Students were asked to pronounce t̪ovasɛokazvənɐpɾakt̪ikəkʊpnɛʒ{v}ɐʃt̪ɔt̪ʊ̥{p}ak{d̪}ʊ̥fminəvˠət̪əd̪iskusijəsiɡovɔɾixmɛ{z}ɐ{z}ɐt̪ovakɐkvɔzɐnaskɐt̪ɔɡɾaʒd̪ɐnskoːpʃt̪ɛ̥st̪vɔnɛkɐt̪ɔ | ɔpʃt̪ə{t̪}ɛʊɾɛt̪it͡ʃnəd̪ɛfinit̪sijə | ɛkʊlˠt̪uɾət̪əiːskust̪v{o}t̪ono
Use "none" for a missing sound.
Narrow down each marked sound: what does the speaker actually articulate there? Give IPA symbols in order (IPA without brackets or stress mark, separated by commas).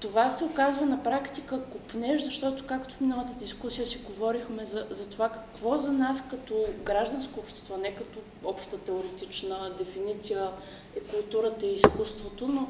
z, k, t̪, z, z, t̪, o